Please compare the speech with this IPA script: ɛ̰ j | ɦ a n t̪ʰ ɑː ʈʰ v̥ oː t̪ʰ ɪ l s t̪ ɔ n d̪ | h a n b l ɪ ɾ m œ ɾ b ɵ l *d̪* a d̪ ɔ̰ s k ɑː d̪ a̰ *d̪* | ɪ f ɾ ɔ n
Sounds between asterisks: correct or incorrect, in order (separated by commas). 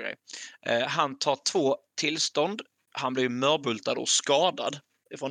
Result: incorrect, correct